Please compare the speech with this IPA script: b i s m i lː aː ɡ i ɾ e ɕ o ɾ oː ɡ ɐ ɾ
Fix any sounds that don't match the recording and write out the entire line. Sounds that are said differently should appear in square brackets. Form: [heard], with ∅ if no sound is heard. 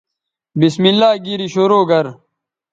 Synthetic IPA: b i s m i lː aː ɡ i ɾ [i] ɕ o ɾ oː ɡ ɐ ɾ